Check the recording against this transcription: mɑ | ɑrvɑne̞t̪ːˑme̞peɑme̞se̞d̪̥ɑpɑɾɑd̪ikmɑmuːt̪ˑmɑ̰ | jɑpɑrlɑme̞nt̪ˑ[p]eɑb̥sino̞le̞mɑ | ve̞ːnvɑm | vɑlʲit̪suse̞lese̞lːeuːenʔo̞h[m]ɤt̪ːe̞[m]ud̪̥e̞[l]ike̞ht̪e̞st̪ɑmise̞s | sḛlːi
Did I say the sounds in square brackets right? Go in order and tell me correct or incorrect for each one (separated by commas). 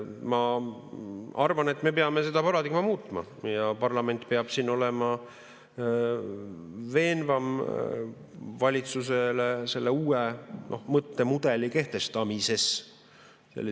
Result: correct, correct, correct, correct